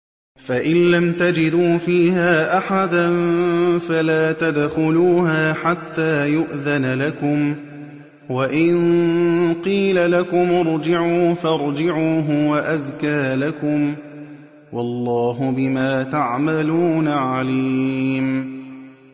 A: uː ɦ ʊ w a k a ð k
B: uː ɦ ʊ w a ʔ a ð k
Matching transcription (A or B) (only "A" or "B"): B